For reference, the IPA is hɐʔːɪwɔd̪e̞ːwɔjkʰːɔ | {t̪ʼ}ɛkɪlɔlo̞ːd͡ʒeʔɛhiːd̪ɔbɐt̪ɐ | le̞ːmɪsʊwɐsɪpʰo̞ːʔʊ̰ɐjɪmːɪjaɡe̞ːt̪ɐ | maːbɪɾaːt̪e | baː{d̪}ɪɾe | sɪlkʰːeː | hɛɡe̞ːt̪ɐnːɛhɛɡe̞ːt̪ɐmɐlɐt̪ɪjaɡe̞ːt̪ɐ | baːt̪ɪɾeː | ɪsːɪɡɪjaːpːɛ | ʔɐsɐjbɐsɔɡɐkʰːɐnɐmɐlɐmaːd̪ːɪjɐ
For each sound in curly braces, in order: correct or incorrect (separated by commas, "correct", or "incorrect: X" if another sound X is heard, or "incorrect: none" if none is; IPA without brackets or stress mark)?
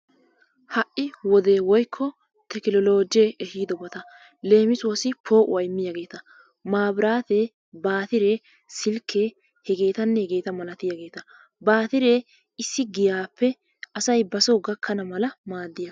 incorrect: t̪, incorrect: t̪